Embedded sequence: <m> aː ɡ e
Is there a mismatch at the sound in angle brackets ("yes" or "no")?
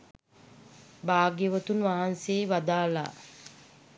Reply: yes